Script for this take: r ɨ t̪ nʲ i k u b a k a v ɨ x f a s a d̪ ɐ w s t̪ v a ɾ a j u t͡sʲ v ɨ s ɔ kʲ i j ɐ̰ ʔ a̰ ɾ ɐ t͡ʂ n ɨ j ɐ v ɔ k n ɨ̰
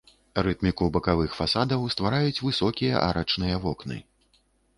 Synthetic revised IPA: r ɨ t̪ mʲ i k u b ɐ k a v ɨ x f a s a d̪ ɐ w s t̪ v a ɾ a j u t͡sʲ v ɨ s ɔ kʲ i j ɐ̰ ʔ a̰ ɾ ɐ t͡ʂ n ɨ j ɐ v ɔ k n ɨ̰